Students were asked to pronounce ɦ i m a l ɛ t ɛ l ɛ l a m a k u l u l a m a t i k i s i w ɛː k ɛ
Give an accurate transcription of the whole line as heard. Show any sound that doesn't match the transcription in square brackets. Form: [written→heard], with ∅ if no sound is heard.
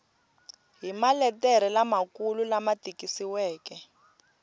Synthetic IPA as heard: ɦ i m a l ɛ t ɛ [l→ɾ] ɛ l a m a k u l u l a m a t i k i s i w ɛː k ɛ